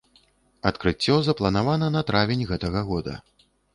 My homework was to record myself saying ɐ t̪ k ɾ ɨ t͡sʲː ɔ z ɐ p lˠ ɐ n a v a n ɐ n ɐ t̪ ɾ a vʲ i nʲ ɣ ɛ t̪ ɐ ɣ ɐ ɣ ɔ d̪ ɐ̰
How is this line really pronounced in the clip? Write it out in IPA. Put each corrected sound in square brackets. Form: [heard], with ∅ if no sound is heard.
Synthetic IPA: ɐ t̪ k ɾ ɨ t͡sʲː ɔ z ɐ p lˠ ɐ n a v a n ɐ n ɐ t̪ ɾ a vʲ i nʲ ɣ ɛ t̪ ɐ ɣ ɐ ɣ ɔ d̪ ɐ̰